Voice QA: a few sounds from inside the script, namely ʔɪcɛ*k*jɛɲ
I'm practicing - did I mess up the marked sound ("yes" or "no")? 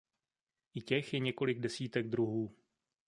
yes